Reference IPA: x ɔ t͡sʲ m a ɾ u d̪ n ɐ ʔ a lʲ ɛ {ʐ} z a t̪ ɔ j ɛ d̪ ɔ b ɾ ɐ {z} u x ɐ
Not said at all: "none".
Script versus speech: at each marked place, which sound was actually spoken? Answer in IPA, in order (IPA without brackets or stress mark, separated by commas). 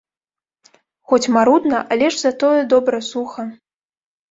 ʐ, s